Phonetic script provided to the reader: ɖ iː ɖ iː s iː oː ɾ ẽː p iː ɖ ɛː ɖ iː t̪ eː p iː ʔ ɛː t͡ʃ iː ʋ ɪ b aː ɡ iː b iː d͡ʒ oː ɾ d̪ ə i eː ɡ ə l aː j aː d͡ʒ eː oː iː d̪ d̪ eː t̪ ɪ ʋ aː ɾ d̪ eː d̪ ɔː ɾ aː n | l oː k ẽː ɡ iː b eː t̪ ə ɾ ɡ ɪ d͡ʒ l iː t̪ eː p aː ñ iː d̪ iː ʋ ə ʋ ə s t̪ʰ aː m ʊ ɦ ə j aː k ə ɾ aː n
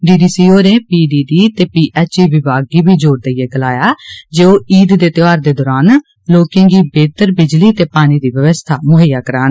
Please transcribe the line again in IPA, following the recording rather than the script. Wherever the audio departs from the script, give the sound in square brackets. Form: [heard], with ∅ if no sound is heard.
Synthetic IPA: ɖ iː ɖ iː s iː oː ɾ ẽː p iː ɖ [iː] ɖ iː t̪ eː p iː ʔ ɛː t͡ʃ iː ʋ ɪ b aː ɡ iː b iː d͡ʒ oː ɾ d̪ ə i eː ɡ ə l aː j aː d͡ʒ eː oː iː d̪ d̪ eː t̪ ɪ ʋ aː ɾ d̪ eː d̪ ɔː ɾ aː n | l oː k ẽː ɡ iː b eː t̪ ə ɾ [b] ɪ d͡ʒ l iː t̪ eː p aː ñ iː d̪ iː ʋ ə ʋ ə s t̪ʰ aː m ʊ ɦ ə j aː k ə ɾ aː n